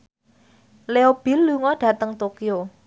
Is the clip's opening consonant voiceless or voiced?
voiced